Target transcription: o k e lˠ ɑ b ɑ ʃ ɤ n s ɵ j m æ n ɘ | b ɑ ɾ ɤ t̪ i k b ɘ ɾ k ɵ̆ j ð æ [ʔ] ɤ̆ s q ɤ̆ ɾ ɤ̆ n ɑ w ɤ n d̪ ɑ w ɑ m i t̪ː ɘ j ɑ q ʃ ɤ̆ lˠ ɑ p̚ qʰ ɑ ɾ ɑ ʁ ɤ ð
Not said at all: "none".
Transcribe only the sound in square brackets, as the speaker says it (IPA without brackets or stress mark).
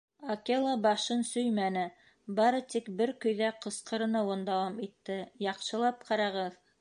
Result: q